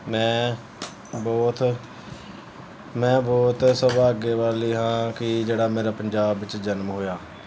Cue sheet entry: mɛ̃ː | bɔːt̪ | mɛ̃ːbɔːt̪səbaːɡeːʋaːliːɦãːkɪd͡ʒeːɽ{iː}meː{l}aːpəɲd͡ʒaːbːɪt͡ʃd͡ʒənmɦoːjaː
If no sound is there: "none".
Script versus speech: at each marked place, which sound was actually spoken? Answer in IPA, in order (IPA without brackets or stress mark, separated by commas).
aː, ɾ